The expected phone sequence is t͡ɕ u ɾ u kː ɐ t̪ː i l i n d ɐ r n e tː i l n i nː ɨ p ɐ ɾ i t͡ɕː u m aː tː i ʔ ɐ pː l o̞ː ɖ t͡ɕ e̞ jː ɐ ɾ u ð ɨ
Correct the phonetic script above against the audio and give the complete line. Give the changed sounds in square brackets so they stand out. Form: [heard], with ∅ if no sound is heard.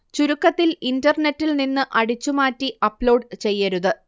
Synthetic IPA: t͡ɕ u ɾ u kː ɐ t̪ː i l i n d ɐ r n e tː i l n i nː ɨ [ʔ] ɐ [ɽ] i t͡ɕː u m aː tː i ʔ ɐ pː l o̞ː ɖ t͡ɕ e̞ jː ɐ ɾ u ð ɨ